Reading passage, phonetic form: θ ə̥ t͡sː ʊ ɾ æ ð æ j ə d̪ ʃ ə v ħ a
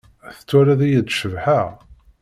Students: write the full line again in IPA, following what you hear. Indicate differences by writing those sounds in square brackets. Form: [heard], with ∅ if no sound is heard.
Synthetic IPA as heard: θ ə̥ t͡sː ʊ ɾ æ ð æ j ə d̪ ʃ ə v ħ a